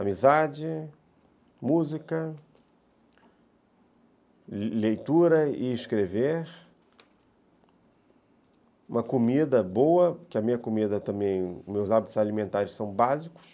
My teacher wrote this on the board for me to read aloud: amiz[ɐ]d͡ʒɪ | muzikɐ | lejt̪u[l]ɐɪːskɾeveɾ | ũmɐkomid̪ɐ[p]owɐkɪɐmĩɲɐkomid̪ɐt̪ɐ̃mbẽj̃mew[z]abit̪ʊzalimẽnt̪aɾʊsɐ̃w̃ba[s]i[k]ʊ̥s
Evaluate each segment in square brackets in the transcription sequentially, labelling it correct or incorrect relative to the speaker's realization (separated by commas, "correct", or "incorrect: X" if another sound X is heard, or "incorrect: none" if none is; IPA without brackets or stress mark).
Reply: incorrect: a, incorrect: ɾ, incorrect: b, correct, incorrect: z, correct